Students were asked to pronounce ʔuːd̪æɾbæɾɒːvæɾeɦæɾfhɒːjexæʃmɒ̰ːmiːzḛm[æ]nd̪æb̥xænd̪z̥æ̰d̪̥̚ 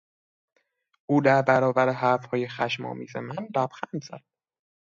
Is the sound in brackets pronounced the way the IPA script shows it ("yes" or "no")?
yes